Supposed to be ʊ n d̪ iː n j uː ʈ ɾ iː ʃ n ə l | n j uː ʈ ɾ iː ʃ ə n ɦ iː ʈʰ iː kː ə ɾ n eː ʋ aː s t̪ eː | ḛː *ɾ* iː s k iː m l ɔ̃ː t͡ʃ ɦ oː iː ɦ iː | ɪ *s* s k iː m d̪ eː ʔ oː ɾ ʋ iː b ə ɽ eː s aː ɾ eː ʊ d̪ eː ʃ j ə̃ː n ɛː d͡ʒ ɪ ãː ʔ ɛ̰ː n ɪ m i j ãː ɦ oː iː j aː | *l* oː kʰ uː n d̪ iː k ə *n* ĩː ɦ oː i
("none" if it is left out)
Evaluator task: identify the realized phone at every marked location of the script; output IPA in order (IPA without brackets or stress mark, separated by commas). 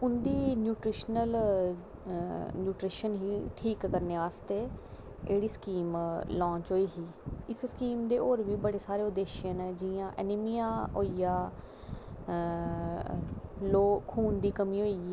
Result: ɽ, s, l, m